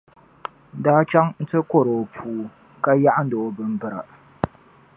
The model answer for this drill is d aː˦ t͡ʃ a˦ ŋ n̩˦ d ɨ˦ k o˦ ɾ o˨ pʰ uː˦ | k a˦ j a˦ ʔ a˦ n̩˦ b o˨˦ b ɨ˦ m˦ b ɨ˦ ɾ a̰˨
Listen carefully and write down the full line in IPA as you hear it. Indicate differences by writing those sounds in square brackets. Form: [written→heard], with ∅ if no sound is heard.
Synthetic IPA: d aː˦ t͡ʃ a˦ ŋ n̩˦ [d→t] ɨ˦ k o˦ ɾ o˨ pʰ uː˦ | k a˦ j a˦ ʔ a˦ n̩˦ [b→d] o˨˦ b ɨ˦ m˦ b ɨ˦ ɾ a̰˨

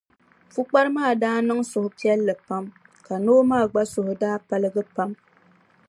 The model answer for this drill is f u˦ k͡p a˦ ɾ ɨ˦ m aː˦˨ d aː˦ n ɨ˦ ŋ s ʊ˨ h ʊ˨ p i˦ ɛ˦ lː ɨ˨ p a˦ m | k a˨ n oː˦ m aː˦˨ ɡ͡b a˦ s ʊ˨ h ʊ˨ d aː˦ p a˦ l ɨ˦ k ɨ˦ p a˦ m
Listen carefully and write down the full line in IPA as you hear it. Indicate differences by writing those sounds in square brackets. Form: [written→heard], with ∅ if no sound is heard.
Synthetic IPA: f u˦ k͡p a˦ ɾ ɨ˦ m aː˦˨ d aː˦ n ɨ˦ ŋ s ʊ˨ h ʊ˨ p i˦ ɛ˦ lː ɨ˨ p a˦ m | k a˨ n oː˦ m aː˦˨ ɡ͡b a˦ s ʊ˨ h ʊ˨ d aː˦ p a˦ l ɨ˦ [k→ɡ] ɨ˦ p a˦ m

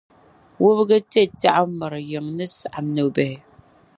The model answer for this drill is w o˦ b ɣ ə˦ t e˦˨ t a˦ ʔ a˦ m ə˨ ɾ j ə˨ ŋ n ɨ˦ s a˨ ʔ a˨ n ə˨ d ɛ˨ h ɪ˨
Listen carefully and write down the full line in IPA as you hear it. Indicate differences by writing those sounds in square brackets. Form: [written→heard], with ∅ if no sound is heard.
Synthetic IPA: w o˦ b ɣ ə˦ t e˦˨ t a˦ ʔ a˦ m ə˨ ɾ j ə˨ ŋ n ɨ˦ s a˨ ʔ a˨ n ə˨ [d→b] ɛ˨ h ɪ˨

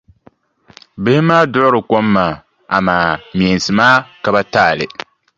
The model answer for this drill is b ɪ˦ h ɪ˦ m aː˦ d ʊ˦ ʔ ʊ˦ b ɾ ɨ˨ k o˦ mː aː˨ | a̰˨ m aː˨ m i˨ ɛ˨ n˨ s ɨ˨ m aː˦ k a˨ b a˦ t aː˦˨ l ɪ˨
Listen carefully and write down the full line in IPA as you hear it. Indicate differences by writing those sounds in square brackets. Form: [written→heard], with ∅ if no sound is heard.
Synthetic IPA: b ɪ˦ h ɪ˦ m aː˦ d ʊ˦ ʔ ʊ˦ [b→∅] ɾ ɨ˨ k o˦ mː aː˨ | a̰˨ m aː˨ m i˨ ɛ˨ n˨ s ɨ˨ m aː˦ k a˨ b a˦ t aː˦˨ l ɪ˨

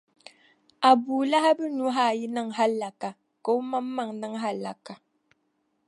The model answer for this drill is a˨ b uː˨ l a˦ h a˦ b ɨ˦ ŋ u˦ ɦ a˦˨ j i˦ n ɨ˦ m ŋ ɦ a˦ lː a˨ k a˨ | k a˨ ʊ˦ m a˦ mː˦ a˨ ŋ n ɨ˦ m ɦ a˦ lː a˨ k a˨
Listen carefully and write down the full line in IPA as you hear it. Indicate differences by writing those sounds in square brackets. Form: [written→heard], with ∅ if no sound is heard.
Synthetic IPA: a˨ b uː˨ l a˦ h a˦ b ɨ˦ [ŋ→n] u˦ ɦ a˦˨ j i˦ n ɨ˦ [m→∅] ŋ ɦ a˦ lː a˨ k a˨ | k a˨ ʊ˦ m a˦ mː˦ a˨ ŋ n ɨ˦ [m→ŋ] ɦ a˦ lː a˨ k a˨

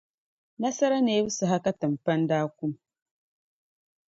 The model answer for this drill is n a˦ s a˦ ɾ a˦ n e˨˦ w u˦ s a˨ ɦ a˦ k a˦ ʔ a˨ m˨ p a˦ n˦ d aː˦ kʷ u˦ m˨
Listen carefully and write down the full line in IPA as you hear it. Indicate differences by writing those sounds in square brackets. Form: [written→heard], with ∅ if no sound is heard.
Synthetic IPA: n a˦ s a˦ ɾ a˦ n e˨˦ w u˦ s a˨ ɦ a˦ k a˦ [ʔ→t] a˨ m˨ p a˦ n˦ d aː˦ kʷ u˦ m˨

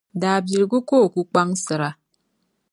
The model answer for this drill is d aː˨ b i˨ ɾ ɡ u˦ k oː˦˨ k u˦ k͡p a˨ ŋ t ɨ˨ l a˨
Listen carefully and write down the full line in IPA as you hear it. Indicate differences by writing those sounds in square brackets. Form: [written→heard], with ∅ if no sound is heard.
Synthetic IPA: d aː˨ b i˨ ɾ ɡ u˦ k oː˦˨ k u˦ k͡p [a˨→a˦] ŋ [t→s] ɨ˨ [l→ɾ] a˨

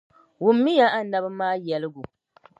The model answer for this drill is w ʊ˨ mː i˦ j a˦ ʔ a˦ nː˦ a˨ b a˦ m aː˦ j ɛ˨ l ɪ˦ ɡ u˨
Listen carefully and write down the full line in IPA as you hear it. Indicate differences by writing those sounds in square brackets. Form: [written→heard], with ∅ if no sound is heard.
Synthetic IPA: w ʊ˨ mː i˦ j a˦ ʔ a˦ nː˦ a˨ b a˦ m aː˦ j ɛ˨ l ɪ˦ ɡ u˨

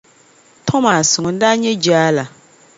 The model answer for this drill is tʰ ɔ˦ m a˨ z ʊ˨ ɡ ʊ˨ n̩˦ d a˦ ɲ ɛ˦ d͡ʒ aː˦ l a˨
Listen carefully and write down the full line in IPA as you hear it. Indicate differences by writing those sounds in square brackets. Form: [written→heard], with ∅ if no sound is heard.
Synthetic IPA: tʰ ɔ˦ m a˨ [z→s] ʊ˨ [ɡ→ŋ] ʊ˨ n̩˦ d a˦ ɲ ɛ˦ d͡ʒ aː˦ l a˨

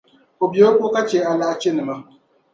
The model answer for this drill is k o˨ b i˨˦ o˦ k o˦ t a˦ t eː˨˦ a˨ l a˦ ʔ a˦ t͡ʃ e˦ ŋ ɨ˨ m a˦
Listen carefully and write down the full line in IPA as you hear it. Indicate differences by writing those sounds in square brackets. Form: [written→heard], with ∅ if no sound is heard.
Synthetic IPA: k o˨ b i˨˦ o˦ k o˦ [t→k] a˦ [t→t͡ʃ] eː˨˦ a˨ l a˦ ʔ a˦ t͡ʃ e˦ [ŋ→n] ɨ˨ m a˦

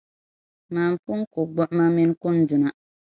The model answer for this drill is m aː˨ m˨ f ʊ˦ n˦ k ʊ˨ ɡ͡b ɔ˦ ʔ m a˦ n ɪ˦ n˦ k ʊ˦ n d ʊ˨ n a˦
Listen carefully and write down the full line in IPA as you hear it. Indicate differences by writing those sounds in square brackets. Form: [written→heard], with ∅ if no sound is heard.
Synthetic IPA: m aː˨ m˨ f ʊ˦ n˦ k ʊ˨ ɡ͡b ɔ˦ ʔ m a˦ [n→m] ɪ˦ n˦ k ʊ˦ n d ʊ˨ n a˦

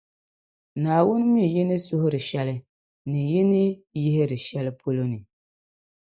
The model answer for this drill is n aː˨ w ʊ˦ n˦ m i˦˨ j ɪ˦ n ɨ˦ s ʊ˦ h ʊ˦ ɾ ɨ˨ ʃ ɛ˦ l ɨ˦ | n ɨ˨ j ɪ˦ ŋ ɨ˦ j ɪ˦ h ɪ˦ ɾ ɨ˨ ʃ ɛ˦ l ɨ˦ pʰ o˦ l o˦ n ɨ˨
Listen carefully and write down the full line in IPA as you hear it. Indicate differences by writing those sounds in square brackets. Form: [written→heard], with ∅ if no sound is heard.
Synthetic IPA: n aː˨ w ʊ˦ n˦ m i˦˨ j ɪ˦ n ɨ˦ s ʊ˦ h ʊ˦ ɾ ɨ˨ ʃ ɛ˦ l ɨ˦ | n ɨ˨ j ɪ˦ [ŋ→n] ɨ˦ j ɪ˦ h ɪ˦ ɾ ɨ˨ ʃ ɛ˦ l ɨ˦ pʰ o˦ l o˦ n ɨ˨

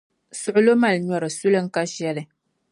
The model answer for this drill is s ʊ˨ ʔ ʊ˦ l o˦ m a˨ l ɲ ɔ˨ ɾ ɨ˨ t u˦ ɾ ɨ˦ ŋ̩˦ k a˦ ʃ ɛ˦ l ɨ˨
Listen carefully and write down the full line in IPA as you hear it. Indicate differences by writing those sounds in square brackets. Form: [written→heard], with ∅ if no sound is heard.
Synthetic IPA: s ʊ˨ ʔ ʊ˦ l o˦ m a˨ l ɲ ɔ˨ ɾ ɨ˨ [t→s] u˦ [ɾ→l] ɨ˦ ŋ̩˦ k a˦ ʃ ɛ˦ l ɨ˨

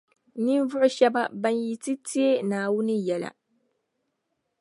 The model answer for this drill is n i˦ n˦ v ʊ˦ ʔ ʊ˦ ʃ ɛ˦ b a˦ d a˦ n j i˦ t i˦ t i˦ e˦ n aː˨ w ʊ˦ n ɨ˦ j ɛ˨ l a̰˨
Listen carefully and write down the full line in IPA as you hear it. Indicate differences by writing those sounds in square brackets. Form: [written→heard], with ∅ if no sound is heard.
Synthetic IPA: n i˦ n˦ v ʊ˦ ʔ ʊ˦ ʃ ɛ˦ b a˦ [d→b] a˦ n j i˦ t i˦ t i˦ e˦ n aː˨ w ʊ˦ n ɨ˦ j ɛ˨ l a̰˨

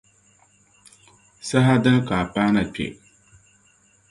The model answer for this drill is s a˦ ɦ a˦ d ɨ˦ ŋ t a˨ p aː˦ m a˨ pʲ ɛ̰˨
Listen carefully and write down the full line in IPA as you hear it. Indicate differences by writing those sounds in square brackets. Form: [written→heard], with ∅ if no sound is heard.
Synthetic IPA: s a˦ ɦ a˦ d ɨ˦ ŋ [t→k] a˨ p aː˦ [m→n] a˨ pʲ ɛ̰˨

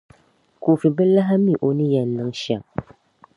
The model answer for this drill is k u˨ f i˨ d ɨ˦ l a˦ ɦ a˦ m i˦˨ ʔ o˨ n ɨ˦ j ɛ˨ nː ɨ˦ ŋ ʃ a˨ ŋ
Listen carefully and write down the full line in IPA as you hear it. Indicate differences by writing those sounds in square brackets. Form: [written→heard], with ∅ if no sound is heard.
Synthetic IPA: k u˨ f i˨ [d→b] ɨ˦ l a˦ ɦ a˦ m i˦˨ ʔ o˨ n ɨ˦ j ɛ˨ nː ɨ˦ ŋ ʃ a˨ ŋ

